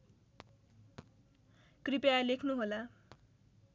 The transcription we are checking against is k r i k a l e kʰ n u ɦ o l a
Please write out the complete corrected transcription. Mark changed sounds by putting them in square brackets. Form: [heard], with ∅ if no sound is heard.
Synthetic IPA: k r i [p] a l e kʰ n u ɦ o l a